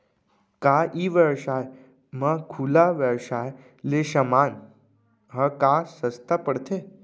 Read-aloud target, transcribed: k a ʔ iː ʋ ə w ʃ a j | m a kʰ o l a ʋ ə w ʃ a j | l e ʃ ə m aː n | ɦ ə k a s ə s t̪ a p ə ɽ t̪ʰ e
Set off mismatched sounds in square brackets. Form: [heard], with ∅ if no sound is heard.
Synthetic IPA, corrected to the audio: k a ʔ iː ʋ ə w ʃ a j | m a kʰ [u] l a ʋ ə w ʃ a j | l e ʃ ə m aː n | ɦ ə k a s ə s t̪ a p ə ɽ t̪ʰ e